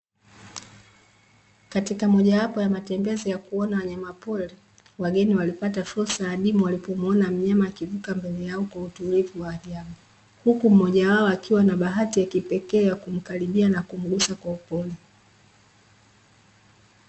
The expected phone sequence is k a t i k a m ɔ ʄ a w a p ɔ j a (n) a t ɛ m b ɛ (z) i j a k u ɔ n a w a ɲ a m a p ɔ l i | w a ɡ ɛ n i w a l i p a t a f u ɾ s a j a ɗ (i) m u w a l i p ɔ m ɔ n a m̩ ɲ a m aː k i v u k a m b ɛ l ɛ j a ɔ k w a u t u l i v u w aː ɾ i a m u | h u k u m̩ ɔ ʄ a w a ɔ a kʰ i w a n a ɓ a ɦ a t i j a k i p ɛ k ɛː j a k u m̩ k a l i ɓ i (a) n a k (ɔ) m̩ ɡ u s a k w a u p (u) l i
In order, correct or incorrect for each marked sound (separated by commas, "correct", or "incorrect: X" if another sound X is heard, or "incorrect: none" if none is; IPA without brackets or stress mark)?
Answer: incorrect: m, correct, correct, correct, incorrect: u, incorrect: ɔ